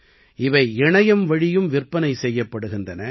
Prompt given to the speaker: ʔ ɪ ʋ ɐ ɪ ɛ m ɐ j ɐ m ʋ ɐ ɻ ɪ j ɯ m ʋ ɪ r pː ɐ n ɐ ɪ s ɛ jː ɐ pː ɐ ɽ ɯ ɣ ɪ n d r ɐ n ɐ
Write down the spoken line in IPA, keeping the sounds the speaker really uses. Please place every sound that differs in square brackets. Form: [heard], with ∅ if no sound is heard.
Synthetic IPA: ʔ ɪ ʋ ɐ ɪ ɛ [ɳ] ɐ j ɐ m ʋ ɐ ɻ ɪ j ɯ m ʋ ɪ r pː ɐ n ɐ ɪ s ɛ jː ɐ pː ɐ ɽ ɯ ɣ ɪ n d r ɐ n ɐ